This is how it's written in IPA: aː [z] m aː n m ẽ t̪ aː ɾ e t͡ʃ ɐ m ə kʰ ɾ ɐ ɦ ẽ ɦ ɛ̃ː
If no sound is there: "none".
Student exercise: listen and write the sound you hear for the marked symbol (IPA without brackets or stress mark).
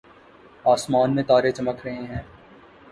s